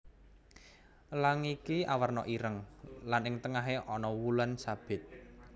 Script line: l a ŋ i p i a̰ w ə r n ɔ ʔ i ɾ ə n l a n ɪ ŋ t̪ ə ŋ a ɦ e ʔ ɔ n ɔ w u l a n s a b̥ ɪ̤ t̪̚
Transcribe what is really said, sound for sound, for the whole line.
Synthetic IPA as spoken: l a ŋ i k i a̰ w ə r n ɔ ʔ i ɾ ə ŋ l a n ɪ ŋ t̪ ə ŋ a ɦ e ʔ ɔ n ɔ w u l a n s a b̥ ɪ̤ t̪̚